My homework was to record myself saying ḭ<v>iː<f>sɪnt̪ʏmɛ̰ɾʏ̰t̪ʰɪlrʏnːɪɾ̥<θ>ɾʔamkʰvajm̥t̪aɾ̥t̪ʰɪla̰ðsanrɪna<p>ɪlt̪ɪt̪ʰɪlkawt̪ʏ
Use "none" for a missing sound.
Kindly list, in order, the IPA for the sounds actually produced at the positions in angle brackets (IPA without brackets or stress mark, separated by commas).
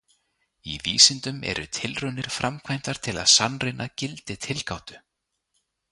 v, none, f, c